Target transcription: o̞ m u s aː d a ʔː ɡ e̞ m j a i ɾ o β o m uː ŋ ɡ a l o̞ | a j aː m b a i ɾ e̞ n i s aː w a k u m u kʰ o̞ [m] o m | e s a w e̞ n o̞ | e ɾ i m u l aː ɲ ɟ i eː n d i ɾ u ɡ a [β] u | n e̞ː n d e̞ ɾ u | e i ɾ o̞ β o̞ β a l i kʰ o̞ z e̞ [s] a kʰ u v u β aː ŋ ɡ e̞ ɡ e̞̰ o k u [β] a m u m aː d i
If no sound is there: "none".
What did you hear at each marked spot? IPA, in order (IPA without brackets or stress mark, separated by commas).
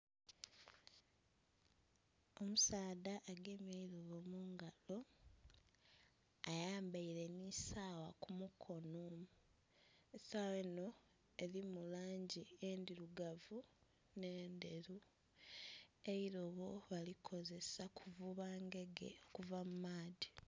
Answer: n, v, s, v